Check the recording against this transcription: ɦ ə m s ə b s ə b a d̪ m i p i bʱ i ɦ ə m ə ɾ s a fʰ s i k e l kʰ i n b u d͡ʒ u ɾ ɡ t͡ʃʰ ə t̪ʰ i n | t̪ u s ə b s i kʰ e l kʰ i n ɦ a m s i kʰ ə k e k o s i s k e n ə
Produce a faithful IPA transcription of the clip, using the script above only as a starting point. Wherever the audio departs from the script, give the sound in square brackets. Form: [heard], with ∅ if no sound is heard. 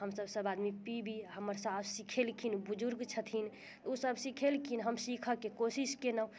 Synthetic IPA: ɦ ə m s ə b s ə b a d̪ m i p i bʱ i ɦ ə m ə ɾ s a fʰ s i [kʰ] e l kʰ i n b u d͡ʒ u ɾ ɡ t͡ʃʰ ə t̪ʰ i n | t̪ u s ə b s i kʰ e l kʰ i n ɦ [ə] m s i kʰ ə k e k o s i s k e n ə